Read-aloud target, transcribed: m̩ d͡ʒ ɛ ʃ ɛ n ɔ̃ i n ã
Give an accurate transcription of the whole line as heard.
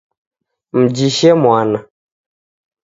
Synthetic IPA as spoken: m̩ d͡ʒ i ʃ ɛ m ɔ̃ a n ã